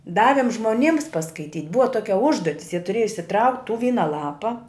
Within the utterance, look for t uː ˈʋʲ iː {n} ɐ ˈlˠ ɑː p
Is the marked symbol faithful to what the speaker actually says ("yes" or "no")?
yes